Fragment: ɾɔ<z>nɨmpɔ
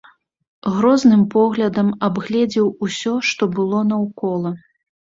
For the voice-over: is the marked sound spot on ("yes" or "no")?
yes